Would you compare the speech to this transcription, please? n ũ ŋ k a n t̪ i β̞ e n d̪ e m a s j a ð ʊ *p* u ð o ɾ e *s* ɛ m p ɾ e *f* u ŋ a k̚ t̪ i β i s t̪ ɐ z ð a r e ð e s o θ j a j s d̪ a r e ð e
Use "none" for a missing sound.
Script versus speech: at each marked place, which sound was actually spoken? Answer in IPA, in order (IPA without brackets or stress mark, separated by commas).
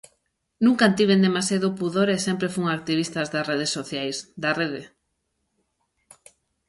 p, s, f